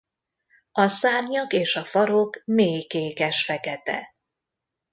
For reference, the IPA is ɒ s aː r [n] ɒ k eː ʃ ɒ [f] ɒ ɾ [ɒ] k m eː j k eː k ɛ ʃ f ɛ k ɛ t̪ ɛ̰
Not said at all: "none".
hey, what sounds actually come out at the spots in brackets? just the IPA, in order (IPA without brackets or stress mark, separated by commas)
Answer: ɲ, f, o